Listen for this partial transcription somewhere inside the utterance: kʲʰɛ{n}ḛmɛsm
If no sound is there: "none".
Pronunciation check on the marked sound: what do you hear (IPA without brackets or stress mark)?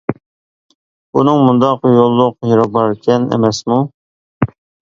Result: n